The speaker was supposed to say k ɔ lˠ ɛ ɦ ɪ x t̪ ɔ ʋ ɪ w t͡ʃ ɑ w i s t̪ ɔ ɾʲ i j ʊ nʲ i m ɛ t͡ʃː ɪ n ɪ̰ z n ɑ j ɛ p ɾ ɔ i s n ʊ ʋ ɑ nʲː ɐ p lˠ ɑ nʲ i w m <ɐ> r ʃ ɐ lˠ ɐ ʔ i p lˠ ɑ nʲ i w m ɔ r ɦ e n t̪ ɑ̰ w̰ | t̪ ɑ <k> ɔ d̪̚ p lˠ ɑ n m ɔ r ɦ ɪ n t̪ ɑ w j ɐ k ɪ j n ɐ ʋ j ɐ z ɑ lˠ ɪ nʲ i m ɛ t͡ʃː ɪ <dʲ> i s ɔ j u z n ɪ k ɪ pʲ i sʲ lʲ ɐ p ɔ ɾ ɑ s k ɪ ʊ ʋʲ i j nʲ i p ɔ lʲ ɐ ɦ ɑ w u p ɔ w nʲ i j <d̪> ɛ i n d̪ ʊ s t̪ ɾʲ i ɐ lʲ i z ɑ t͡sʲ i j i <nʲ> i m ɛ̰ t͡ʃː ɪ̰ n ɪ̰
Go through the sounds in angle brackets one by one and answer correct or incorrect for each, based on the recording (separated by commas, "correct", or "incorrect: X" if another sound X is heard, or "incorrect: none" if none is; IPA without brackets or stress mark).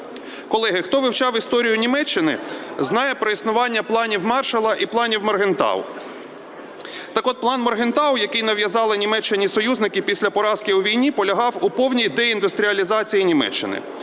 incorrect: ɑ, correct, incorrect: nʲ, correct, correct